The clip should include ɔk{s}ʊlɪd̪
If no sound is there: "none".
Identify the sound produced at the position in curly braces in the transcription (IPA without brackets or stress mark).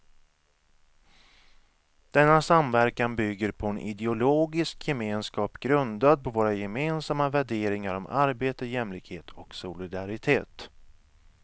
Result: s